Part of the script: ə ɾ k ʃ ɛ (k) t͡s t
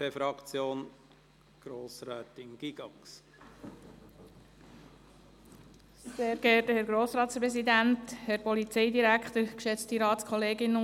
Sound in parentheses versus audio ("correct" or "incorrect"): incorrect